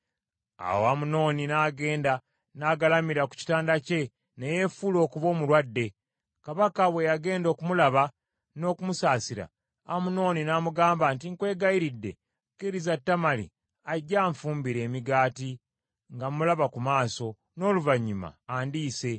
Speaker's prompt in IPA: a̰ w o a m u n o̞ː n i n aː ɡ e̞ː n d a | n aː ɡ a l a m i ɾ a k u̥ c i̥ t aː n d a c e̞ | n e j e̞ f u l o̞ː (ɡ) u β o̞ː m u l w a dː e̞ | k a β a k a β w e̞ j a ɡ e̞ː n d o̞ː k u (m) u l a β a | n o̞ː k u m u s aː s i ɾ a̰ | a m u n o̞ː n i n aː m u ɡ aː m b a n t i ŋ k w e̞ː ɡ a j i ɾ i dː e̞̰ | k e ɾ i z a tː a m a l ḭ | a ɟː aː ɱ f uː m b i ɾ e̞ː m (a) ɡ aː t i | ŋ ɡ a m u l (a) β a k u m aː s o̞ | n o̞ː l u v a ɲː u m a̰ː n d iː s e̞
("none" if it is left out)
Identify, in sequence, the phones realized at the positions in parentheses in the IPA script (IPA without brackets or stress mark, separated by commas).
k, m, i, a